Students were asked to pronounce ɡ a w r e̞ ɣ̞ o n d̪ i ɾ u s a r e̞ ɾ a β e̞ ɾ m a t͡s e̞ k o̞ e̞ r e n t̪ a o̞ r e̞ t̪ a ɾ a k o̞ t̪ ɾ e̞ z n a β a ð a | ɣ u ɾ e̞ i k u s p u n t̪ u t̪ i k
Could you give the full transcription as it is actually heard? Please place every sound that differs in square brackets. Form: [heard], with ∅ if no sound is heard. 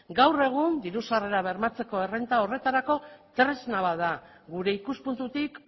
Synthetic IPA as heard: ɡ a w r e̞ ɣ̞ [u] n d̪ i ɾ u s a r e̞ ɾ a β e̞ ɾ m a t͡s e̞ k o̞ e̞ r e n t̪ a o̞ r e̞ t̪ a ɾ a k o̞ t̪ ɾ e̞ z n a β a ð a | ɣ u ɾ e̞ i k u s p u n t̪ u t̪ i k